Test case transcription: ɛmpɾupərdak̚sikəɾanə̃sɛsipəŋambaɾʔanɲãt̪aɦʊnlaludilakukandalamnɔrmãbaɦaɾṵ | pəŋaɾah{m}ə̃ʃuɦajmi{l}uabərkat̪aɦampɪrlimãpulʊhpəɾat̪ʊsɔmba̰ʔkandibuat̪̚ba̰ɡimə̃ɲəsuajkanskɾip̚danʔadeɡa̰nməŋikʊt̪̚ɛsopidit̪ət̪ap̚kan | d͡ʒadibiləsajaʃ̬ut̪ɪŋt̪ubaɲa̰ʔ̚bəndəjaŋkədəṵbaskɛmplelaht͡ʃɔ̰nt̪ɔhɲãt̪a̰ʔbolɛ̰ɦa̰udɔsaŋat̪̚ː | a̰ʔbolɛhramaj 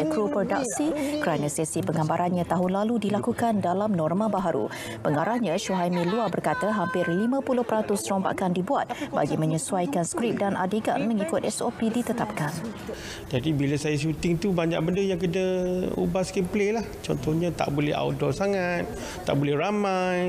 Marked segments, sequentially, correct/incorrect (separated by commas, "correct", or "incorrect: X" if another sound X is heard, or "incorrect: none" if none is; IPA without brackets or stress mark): incorrect: ɲ, correct